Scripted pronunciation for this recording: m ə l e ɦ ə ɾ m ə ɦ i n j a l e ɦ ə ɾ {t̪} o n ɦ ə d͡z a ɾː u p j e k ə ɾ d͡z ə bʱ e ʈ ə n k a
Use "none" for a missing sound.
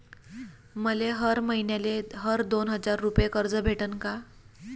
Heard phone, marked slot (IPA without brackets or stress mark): d̪